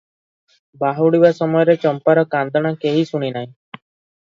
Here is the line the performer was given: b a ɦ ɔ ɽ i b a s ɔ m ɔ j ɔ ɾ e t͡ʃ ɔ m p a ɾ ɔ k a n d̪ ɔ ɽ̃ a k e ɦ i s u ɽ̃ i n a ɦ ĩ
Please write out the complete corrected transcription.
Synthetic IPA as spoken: b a ɦ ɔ ɽ i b a s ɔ m ɔ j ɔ ɾ e t͡ʃ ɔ m p a ɾ ɔ k a n d̪ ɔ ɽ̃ a k e ɦ i s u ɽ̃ i n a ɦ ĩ